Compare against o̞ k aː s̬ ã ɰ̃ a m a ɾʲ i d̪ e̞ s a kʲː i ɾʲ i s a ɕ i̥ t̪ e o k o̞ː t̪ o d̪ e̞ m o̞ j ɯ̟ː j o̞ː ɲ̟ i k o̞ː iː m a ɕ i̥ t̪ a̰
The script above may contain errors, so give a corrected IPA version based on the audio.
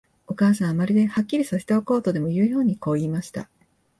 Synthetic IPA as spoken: o̞ k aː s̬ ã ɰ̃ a m a ɾʲ i d̪ e̞ h a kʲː i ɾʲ i s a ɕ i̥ t̪ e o k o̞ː t̪ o d̪ e̞ m o̞ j ɯ̟ː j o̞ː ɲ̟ i k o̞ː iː m a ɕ i̥ t̪ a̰